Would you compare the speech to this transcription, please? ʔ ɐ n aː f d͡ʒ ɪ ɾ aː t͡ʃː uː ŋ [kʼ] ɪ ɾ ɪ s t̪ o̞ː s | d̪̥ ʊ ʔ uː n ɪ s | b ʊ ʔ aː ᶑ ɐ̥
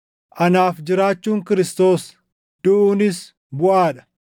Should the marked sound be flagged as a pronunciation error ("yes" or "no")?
yes